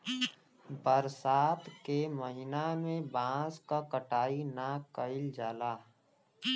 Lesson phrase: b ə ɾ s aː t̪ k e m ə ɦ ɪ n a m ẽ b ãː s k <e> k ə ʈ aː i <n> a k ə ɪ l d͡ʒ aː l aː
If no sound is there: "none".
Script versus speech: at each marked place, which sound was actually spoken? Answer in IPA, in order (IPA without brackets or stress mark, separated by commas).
a, n